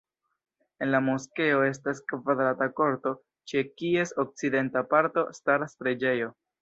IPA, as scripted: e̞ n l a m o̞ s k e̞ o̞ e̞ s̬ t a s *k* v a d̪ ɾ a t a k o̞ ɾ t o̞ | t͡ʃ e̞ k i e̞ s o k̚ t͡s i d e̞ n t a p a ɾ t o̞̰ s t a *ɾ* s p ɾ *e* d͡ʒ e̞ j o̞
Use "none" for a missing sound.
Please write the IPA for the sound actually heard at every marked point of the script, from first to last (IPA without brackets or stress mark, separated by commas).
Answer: k, ɾ, e